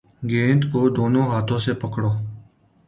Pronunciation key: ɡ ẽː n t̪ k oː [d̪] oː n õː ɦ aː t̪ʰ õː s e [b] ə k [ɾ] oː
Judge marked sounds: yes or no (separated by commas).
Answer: yes, no, no